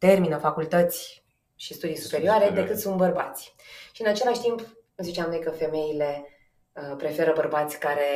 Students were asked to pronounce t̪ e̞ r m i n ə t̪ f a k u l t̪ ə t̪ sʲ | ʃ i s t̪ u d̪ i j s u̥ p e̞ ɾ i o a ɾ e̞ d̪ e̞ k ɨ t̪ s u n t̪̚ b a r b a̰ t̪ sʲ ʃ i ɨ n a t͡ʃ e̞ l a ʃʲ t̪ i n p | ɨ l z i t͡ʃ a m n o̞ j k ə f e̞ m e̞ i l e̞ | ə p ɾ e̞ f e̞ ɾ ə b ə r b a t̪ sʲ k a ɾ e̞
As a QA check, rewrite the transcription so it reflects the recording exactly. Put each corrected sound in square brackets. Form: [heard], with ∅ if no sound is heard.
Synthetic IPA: t̪ e̞ r m i n ə [∅] f a k u l t̪ ə t̪ sʲ | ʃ i s t̪ u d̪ i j s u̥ p e̞ ɾ i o a ɾ e̞ d̪ e̞ k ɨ t̪ s u n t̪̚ b [ə] r b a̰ t̪ sʲ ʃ i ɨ n a t͡ʃ e̞ l a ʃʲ t̪ i [m] p | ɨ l z i t͡ʃ a m n o̞ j k ə f e̞ m e̞ i l e̞ | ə p ɾ e̞ f e̞ ɾ ə b ə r b a t̪ sʲ k a ɾ e̞